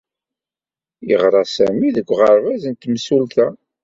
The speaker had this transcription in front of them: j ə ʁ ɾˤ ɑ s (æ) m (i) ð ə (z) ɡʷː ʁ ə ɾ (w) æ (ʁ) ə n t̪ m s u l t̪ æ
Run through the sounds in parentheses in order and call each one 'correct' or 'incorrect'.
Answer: correct, correct, incorrect, incorrect, incorrect

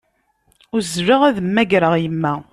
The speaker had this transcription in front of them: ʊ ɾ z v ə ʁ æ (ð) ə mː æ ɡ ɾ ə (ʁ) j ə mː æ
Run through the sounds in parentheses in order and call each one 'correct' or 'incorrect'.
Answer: correct, correct

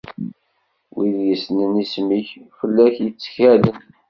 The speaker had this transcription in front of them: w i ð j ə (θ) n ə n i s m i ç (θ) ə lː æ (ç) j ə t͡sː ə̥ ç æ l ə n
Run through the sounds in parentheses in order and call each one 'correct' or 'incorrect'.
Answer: incorrect, incorrect, correct

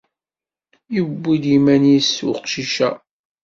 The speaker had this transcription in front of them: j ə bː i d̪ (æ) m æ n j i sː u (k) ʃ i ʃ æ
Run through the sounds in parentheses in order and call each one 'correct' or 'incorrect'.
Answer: incorrect, incorrect

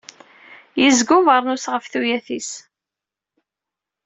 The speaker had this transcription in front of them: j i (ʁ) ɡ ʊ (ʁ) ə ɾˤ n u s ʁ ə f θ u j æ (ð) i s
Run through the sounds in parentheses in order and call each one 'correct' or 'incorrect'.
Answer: incorrect, incorrect, incorrect

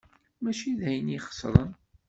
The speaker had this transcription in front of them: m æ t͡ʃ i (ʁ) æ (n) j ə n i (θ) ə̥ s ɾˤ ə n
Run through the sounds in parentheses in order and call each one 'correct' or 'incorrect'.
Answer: incorrect, incorrect, incorrect

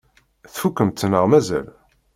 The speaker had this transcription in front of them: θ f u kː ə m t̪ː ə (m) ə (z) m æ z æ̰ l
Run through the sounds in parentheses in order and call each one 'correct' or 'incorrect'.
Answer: incorrect, incorrect

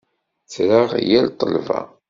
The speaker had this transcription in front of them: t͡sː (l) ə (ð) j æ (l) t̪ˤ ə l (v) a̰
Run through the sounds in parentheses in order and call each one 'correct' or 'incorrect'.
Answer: incorrect, incorrect, correct, correct

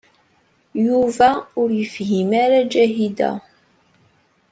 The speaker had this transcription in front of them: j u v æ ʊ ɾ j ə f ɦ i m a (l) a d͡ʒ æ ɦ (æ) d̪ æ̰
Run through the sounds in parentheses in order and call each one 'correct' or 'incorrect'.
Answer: incorrect, incorrect

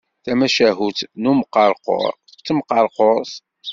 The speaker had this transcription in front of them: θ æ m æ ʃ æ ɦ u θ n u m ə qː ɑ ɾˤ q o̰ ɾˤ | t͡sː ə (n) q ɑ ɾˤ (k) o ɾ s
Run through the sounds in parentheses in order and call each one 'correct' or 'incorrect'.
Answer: incorrect, incorrect

